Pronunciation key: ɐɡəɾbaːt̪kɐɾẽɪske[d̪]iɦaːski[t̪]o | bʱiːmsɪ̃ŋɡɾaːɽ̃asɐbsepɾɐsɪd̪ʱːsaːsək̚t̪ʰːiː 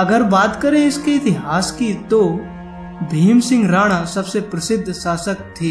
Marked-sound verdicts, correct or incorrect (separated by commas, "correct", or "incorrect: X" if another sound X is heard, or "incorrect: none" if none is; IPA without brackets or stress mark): incorrect: t̪, correct